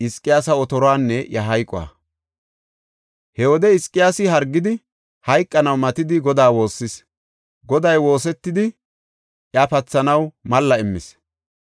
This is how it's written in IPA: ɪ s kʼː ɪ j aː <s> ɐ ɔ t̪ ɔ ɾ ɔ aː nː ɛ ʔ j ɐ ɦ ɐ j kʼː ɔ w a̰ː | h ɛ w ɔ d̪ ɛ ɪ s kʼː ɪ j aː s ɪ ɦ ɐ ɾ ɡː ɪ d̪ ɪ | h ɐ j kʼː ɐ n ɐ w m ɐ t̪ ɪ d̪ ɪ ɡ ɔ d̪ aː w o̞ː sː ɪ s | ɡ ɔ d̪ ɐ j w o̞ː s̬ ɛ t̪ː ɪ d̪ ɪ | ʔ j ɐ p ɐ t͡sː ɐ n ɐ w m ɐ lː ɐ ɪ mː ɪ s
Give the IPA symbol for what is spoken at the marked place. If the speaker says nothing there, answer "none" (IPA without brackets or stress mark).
s